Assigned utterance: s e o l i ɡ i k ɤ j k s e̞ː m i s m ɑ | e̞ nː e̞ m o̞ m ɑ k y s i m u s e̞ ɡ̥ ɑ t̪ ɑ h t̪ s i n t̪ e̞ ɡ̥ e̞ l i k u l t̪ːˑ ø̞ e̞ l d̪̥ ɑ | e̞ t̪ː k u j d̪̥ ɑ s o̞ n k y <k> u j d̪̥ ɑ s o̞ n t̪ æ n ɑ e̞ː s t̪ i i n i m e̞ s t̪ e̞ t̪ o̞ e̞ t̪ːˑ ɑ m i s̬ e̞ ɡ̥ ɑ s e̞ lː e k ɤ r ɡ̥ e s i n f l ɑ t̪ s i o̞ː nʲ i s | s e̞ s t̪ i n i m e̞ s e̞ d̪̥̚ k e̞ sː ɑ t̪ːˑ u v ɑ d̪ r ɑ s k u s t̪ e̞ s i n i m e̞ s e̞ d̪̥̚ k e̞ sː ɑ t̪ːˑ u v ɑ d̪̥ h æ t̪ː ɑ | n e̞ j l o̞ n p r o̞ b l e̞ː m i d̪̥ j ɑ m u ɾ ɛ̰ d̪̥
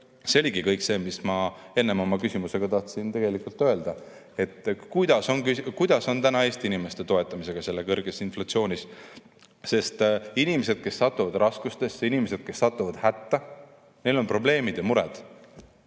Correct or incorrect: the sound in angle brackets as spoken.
correct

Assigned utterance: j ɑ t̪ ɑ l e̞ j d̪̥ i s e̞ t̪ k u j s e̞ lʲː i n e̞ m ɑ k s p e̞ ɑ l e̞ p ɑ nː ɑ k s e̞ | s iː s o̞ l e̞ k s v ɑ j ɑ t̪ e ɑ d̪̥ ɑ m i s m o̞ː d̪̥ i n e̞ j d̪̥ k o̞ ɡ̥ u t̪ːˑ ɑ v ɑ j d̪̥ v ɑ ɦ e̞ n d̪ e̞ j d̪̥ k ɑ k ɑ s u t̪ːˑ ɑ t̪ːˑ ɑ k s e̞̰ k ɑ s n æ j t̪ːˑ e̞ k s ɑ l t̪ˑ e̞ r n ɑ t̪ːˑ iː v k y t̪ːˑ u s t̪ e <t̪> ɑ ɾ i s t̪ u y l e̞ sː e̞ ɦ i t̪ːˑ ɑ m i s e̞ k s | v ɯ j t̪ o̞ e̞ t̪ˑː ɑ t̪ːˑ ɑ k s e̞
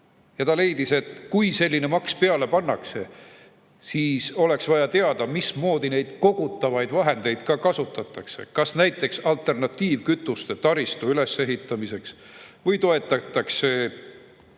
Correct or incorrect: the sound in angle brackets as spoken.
correct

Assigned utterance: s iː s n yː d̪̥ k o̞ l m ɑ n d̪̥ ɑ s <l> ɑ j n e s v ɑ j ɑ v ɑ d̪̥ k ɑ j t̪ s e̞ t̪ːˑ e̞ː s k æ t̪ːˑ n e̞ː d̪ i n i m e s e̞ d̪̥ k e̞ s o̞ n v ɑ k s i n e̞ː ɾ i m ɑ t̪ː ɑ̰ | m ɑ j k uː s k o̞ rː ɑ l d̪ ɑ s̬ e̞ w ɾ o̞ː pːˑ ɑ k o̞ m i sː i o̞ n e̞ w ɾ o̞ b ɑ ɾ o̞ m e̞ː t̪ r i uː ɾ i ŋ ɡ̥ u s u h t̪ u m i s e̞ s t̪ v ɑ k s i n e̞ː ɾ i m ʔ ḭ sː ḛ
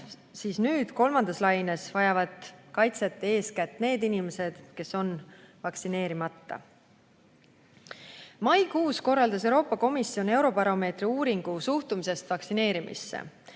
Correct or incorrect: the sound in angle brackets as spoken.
correct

